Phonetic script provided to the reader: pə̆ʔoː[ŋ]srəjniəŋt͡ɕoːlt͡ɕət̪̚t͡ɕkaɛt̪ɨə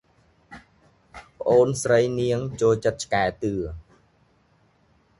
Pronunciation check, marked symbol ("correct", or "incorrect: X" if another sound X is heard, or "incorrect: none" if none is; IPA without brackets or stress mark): incorrect: n